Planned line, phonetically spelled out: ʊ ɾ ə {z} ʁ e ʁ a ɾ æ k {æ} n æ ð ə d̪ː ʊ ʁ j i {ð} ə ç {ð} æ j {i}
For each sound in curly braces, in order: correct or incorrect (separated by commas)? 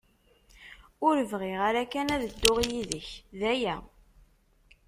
incorrect, correct, correct, correct, incorrect